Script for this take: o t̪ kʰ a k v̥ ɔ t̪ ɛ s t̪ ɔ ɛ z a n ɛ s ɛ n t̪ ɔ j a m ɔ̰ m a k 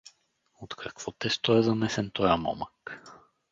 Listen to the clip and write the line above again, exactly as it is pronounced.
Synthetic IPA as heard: o t̪ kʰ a k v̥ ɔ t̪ ɛ s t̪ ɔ ɛ z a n ɛ s ɛ n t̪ ɔ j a m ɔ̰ m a k